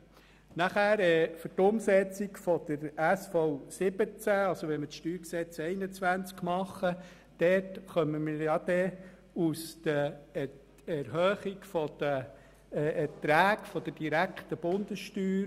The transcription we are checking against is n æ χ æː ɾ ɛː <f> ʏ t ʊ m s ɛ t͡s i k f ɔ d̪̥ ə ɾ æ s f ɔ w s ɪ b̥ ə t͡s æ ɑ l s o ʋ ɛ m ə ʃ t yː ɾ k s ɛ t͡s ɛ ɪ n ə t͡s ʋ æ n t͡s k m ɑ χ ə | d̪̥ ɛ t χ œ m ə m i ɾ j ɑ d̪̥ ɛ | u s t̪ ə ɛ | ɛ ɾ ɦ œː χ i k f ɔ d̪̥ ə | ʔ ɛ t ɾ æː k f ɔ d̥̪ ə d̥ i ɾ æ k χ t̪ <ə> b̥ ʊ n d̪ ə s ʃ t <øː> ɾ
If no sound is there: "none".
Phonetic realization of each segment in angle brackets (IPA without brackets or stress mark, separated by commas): f, ə, yː